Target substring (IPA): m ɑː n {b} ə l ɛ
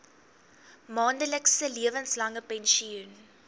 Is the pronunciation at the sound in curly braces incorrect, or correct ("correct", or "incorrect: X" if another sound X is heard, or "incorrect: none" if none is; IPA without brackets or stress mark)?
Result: incorrect: d